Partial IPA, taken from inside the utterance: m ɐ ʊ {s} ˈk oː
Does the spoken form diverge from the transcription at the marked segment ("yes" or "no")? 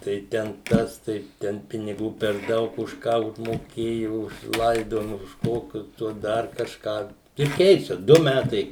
yes